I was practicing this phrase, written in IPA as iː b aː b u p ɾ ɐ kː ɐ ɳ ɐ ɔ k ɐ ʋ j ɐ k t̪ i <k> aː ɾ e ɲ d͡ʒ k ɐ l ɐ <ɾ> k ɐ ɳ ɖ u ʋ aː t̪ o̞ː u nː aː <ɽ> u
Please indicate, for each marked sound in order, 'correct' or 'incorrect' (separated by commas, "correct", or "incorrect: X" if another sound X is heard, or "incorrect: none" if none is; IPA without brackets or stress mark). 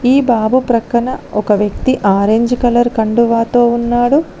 incorrect: ʔ, correct, correct